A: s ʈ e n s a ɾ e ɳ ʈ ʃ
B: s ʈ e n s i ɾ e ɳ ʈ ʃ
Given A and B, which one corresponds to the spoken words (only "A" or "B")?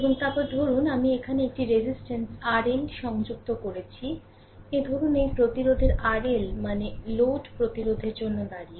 A